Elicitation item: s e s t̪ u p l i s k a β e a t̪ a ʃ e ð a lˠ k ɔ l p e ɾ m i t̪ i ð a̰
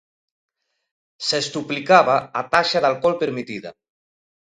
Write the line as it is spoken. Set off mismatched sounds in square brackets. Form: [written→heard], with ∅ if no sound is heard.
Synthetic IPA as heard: s e s t̪ u p l i [s→∅] k a β [e→a] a t̪ a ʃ [e→a] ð a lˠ k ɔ l p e ɾ m i t̪ i ð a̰